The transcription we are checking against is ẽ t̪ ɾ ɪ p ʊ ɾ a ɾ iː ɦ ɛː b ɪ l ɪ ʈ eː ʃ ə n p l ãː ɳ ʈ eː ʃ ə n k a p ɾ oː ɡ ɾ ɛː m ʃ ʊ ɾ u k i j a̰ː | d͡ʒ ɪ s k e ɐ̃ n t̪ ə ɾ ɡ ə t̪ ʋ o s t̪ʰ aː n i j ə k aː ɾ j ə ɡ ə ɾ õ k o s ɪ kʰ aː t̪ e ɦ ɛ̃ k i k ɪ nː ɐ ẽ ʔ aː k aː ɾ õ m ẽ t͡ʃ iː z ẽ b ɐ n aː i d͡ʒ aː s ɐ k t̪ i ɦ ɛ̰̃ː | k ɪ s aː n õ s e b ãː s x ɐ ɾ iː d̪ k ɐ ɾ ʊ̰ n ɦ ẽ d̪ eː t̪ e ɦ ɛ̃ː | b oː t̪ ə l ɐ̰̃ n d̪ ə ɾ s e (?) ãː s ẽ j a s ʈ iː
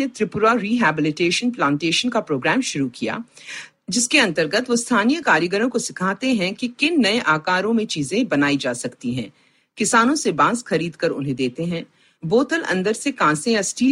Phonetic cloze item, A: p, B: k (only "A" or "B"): B